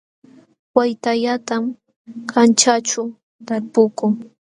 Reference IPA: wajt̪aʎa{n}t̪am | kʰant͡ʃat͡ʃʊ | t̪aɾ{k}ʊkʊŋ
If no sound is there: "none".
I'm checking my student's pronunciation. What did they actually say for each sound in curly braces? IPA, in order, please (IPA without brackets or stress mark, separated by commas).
none, p